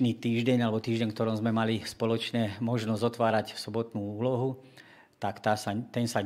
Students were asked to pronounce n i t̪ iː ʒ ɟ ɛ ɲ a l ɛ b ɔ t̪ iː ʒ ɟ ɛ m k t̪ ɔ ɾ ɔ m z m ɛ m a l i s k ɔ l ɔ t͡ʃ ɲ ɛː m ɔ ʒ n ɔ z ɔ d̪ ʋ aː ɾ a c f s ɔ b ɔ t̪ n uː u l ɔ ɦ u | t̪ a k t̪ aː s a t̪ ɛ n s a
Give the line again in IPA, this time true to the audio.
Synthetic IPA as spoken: n i t̪ iː ʒ ɟ ɛ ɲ a l ɛ b ɔ t̪ iː ʒ ɟ ɛ ɲ k t̪ ɔ ɾ ɔ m z m ɛ m a l i s p ɔ l ɔ t͡ʃ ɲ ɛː m ɔ ʒ n ɔ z ɔ t̪ ʋ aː ɾ a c f s ɔ b ɔ t̪ n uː uː l ɔ ɦ u | t̪ a k t̪ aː s a t̪ ɛ n s a